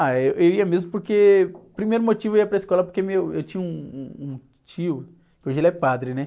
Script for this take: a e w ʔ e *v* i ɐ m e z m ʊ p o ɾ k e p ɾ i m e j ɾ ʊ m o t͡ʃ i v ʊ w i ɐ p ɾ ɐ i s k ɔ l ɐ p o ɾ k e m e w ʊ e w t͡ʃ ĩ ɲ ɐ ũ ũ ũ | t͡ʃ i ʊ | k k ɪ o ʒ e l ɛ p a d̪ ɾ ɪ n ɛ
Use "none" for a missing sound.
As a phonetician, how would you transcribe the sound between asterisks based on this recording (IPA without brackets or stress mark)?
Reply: w